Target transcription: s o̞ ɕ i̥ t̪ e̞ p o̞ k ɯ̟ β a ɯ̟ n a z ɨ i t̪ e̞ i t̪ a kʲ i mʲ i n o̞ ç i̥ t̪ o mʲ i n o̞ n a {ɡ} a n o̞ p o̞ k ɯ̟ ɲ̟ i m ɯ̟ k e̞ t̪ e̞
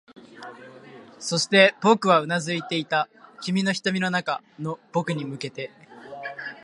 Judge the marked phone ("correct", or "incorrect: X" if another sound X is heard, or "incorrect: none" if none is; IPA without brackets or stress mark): incorrect: k